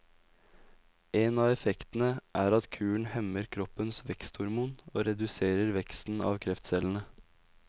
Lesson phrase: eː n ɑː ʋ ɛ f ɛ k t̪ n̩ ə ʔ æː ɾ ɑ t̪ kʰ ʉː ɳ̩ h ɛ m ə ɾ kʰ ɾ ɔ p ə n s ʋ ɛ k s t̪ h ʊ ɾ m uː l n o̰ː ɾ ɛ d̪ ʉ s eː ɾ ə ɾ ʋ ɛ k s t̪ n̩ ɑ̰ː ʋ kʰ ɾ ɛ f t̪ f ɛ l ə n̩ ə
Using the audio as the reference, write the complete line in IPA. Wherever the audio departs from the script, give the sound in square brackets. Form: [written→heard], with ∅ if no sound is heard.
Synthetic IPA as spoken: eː n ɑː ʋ ɛ f ɛ k t̪ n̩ ə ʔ æː ɾ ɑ t̪ kʰ ʉː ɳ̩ h ɛ m ə ɾ kʰ ɾ ɔ p ə n s ʋ ɛ k s t̪ h ʊ ɾ m uː [l→∅] n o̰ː ɾ ɛ d̪ ʉ s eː ɾ ə ɾ ʋ ɛ k s t̪ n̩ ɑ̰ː ʋ kʰ ɾ ɛ f t̪ [f→s] ɛ l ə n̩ ə

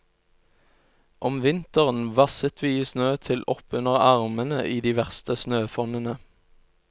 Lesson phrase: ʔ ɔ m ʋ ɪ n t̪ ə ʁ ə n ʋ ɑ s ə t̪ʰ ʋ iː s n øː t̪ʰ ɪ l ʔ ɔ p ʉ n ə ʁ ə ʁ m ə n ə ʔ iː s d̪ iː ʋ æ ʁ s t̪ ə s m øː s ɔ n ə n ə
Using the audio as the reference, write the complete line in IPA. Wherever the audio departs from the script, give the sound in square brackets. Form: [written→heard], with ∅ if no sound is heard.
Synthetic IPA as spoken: ʔ ɔ m ʋ ɪ n t̪ ə ʁ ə n ʋ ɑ s ə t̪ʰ ʋ iː s n øː t̪ʰ ɪ l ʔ ɔ p ʉ n ə ʁ [ə→ɑ] ʁ m ə n ə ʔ iː [s→∅] d̪ iː ʋ æ ʁ s t̪ ə s [m→n] øː [s→f] ɔ n ə n ə

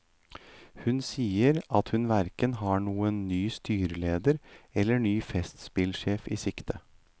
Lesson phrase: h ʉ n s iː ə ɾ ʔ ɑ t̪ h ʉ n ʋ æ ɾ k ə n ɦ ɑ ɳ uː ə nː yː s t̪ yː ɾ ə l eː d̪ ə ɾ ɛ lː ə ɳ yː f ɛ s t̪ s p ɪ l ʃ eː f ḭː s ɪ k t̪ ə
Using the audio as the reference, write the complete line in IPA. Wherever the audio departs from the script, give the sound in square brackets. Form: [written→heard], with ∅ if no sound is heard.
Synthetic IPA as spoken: h ʉ n s iː ə ɾ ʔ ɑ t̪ h ʉ n ʋ æ ɾ k ə n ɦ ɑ ɳ uː ə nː yː s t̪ yː ɾ ə l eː d̪ ə ɾ ɛ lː ə ɳ yː f ɛ s t̪ s p ɪ l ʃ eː f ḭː s ɪ k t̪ ə

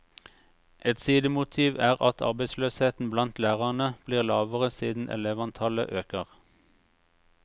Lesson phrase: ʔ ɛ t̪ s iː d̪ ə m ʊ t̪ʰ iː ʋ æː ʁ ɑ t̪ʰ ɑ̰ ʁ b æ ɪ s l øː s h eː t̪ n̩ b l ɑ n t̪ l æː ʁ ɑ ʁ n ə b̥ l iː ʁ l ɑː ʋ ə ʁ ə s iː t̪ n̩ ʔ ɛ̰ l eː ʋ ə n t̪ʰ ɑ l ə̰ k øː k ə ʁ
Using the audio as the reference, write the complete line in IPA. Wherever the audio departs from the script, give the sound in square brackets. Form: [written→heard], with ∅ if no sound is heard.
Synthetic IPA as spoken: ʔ ɛ t̪ s iː d̪ ə m ʊ t̪ʰ iː ʋ æː ʁ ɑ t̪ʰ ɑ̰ ʁ b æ ɪ s l øː s h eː t̪ n̩ b l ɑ n t̪ l æː ʁ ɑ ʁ n ə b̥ l iː ʁ l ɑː ʋ ə ʁ ə s iː [t̪→d̪] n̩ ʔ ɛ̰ l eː ʋ [ə→ɑ] n t̪ʰ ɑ l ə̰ [k→ʔ] øː k ə ʁ

